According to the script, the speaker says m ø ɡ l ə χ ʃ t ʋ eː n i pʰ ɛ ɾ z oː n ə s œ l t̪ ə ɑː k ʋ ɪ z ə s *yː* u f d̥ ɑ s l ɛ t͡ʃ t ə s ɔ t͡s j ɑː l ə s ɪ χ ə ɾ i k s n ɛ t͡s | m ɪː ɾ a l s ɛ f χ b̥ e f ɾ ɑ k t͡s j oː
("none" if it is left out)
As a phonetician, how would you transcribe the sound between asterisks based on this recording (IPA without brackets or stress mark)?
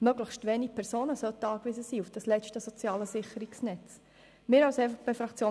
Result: iː